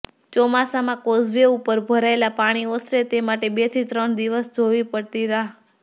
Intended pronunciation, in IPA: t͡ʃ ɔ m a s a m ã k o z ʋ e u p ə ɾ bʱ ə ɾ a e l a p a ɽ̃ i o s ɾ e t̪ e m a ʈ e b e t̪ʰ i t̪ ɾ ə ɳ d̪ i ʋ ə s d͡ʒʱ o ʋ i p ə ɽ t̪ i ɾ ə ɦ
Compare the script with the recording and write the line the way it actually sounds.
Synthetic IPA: t͡ʃ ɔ m a s a m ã k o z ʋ e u p ə ɾ bʱ ə ɾ a e l a p a ɽ̃ i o s ɾ e t̪ e m a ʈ e b e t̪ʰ i t̪ ɾ ə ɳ d̪ i ʋ ə s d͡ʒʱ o ʋ i p ə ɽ t̪ i ɾ a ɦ